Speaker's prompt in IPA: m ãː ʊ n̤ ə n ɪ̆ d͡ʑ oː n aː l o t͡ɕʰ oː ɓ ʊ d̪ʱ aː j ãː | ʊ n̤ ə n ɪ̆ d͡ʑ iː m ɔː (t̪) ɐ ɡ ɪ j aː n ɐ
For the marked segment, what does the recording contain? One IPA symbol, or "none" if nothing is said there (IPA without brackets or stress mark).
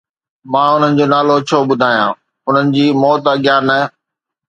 t̪